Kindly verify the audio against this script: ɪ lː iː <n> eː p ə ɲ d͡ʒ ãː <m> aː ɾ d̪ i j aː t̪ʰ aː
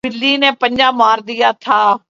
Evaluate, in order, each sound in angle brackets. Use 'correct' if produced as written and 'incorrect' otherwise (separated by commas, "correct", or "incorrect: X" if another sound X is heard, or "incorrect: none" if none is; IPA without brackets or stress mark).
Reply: correct, correct